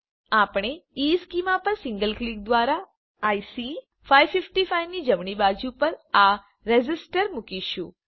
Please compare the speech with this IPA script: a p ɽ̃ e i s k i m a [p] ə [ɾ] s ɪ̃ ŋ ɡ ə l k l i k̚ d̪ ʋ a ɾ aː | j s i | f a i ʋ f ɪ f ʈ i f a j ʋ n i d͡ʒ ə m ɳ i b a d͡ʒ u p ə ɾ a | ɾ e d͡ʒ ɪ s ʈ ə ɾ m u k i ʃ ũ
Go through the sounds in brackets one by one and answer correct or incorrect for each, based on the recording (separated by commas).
correct, correct